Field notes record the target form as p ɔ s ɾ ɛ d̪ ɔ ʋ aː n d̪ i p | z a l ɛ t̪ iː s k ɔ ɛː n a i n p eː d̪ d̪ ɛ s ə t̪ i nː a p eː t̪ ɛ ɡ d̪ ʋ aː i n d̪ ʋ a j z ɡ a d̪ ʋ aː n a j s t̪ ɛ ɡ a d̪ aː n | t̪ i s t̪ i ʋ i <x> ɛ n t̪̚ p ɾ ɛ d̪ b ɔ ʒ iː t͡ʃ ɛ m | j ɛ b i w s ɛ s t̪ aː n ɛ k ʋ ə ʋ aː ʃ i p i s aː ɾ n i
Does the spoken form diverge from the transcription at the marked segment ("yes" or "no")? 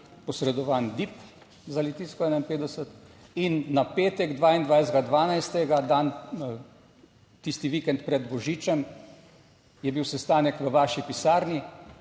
yes